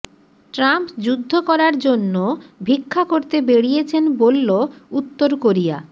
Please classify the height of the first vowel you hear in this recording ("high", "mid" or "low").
low